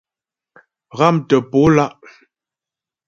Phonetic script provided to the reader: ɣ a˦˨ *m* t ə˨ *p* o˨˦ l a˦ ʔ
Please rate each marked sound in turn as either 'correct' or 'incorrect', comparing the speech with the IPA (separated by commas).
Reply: correct, correct